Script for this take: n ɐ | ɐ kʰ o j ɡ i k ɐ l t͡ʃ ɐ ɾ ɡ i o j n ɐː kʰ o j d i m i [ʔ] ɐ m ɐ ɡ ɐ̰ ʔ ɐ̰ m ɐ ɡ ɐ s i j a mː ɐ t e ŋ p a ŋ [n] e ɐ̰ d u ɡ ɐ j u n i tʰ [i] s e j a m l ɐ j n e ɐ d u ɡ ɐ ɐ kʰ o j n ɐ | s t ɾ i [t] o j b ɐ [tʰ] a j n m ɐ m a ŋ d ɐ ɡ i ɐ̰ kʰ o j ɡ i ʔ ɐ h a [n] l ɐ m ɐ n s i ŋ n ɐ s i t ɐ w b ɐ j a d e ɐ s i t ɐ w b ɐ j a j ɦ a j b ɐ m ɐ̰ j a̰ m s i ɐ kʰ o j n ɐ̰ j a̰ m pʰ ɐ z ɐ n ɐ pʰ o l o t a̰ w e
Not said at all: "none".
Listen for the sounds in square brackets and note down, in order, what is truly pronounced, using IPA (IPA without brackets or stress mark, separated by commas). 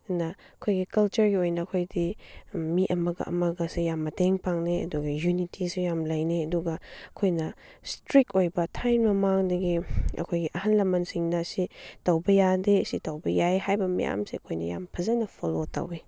ʔ, n, i, k, tʰ, n